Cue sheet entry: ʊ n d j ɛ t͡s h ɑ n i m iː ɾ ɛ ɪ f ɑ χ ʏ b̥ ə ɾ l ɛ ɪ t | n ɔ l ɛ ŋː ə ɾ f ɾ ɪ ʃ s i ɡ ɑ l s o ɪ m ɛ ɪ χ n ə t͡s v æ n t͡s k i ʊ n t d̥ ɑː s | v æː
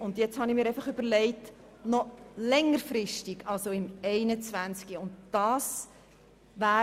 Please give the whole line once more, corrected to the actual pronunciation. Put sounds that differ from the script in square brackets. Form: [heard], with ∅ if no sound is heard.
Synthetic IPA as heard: ʊ n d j ɛ t͡s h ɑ n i m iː ɾ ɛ ɪ f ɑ χ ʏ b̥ ə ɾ l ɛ ɪ t | n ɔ l ɛ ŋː ə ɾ f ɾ ɪ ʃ [t] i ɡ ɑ l s o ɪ m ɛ ɪ [∅] n ə t͡s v æ n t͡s k i ʊ n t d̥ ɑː s | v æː